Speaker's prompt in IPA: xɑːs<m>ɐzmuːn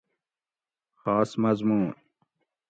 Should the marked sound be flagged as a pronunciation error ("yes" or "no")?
no